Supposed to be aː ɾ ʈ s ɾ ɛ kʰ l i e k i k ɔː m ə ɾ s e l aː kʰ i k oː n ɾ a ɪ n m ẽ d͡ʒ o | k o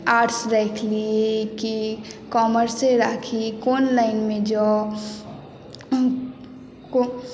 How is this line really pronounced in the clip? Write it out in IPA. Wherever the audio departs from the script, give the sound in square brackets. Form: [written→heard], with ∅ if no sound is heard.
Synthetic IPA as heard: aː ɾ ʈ s ɾ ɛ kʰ l i e k i k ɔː m ə ɾ s e [l→ɾ] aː kʰ i k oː n [ɾ→l] a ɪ n m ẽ d͡ʒ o | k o